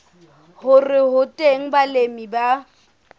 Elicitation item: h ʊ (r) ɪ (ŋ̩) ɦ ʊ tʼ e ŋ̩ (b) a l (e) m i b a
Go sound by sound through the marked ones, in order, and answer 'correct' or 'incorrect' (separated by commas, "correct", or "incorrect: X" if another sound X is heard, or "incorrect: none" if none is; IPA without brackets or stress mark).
correct, incorrect: none, correct, correct